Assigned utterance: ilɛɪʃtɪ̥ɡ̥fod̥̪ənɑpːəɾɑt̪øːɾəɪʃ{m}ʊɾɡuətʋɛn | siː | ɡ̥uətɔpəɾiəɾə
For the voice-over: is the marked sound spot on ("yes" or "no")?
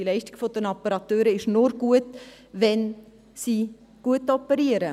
no